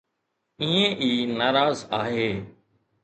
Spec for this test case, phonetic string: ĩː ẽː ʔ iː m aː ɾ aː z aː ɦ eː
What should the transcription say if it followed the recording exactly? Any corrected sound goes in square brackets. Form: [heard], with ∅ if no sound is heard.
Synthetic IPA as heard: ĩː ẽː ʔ iː [n] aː ɾ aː z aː ɦ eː